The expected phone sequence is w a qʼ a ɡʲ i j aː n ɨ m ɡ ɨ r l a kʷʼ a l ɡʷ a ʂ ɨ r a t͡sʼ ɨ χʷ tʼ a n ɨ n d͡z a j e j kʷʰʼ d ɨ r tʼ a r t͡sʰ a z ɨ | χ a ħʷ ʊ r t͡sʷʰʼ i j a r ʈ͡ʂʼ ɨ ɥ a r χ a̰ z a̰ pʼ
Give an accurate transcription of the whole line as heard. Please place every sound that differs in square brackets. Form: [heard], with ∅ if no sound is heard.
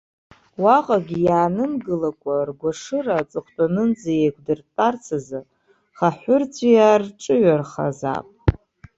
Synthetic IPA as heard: w a qʼ a ɡʲ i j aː n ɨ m ɡ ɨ [∅] l a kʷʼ a [r] ɡʷ a ʂ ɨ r a t͡sʼ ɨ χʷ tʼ a n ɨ n d͡z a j e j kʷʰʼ d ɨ r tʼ a r t͡sʰ a z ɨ | χ a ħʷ ʊ r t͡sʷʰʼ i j a r ʈ͡ʂʼ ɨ ɥ a r χ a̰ z a̰ pʼ

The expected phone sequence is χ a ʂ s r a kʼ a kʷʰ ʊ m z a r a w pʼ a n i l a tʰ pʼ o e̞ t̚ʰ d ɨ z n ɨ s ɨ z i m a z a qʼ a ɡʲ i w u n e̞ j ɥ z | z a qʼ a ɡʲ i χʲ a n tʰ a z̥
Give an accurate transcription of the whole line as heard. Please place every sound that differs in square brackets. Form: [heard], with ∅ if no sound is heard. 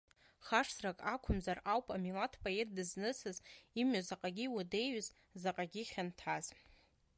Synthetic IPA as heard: χ a ʂ s r a kʼ a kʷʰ ʊ m z a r a w pʼ a [m] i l a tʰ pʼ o e̞ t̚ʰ d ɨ z n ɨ s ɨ z i m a z a qʼ a ɡʲ i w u [d] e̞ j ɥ z | z a qʼ a ɡʲ i χʲ a n tʰ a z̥

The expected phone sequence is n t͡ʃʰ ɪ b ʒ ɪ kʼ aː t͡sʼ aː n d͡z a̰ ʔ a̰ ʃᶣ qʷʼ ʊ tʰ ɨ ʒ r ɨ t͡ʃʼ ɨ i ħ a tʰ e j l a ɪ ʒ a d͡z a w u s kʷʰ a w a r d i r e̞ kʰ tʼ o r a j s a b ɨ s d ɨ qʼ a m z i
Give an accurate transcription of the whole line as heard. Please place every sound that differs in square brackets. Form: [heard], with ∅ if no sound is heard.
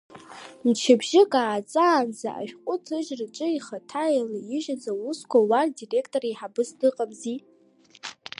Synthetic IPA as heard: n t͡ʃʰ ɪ b ʒ ɪ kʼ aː t͡sʼ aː n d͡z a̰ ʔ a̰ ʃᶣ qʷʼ ʊ tʰ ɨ ʒ r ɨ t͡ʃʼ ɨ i [χ] a tʰ [a] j l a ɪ ʒ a d͡z a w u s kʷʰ a w a r d i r e̞ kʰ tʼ o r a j [ħ] a b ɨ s d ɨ qʼ a m z i

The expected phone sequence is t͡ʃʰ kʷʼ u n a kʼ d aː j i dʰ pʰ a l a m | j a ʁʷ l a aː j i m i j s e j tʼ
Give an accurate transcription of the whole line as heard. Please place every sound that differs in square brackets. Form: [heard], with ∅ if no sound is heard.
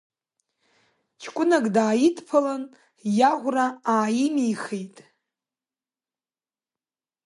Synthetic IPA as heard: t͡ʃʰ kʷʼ [ʊ] n a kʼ d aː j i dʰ pʰ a l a [n] | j a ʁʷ [r] a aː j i m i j [χ] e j tʼ

